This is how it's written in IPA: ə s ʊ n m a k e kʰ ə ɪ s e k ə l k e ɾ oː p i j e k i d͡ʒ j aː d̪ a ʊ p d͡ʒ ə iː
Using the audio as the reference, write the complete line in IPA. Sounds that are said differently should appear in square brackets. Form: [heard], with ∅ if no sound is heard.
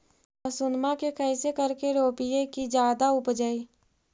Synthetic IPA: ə s ʊ n m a k e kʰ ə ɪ s e k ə [ɾ] k e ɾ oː p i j e k i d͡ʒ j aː d̪ a ʊ p d͡ʒ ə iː